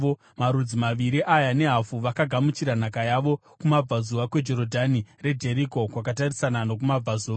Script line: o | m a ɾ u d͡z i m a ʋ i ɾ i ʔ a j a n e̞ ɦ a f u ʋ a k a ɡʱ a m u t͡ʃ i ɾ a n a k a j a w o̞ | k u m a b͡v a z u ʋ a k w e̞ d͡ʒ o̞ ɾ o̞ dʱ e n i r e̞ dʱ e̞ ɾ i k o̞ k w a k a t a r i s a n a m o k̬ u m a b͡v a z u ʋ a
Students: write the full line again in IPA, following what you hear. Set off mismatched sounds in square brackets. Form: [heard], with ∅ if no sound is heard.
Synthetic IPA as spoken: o | m a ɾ u d͡z i m a ʋ i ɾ i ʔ a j a n e̞ ɦ a f u ʋ a k a ɡʱ a m u t͡ʃ i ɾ a n a k a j a [ʋ] o̞ | k u m a b͡v a z u ʋ a k w e̞ d͡ʒ o̞ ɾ o̞ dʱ [a] n i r e̞ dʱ e̞ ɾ i k o̞ k w a k a t a r i s a n a [n] o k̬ u m a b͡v a z u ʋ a

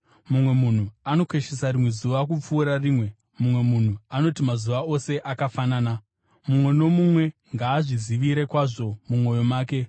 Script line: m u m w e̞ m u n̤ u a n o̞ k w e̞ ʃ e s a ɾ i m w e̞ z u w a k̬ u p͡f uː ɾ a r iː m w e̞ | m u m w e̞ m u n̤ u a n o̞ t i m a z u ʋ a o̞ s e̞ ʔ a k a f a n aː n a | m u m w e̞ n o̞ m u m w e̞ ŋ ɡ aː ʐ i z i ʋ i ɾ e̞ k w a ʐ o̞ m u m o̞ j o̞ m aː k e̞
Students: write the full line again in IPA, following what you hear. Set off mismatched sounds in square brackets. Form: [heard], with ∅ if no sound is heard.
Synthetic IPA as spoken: m u m w e̞ m u n̤ u a n o̞ k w e̞ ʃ e s a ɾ i m w e̞ z u [ʋ] a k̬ u p͡f uː ɾ a r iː m w e̞ | m u m w e̞ m u n̤ u a n o̞ t i m a z u ʋ a o̞ s e̞ ʔ a k a f a n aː n a | m u m w e̞ n o̞ m u m w e̞ ŋ ɡ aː ʐ i z i ʋ i ɾ e̞ k w a ʐ o̞ m u m o̞ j o̞ m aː k e̞

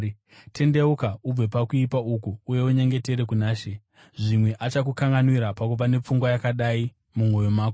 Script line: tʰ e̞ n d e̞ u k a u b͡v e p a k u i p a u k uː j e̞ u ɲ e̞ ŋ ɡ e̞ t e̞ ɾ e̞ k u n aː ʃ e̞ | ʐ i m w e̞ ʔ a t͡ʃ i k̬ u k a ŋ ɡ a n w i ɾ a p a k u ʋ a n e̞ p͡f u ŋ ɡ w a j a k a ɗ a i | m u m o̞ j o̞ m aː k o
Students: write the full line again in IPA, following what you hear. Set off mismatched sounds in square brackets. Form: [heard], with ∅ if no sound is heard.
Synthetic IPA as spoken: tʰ e̞ n d e̞ u k a u b͡v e p a k u i p a u k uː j e̞ u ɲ e̞ ŋ ɡ e̞ t e̞ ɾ e̞ k u n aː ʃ e̞ | ʐ i m w e̞ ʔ a t͡ʃ [a] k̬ u k a ŋ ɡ a n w i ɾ a p a k u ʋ a n e̞ p͡f u ŋ ɡ w a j a k a ɗ a i | m u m o̞ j o̞ m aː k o

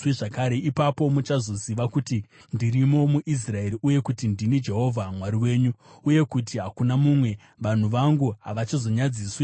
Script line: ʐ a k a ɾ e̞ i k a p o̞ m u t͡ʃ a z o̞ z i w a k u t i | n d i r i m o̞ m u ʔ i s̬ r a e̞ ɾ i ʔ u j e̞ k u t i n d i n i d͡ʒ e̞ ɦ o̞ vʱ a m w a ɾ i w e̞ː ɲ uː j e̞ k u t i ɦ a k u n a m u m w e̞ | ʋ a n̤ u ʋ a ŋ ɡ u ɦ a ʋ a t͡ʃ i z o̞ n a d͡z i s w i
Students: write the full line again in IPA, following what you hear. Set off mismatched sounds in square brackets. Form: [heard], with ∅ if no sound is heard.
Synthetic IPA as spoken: ʐ a k a ɾ e̞ i [p] a p o̞ m u t͡ʃ a z o̞ z i [ʋ] a k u t i | n d i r i m o̞ m u ʔ i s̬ r a e̞ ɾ i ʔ u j e̞ k u t i n d i n i d͡ʒ e̞ ɦ o̞ vʱ a m w a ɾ i w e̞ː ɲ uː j e̞ k u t i ɦ a k u n a m u m w e̞ | ʋ a n̤ u ʋ a ŋ ɡ u ɦ a ʋ a t͡ʃ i z o̞ [ɲ] a d͡z i s w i

